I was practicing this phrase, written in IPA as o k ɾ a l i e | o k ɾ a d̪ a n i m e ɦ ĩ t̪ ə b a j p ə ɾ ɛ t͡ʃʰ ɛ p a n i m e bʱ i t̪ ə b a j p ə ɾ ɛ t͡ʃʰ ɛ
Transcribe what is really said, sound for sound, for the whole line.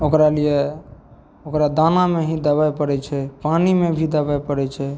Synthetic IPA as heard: o k ɾ a l i e | o k ɾ a d̪ a n a m e ɦ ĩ d̪ ə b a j p ə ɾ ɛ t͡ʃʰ ɛ p a n i m e bʱ i d̪ ə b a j p ə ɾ ɛ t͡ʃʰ ɛ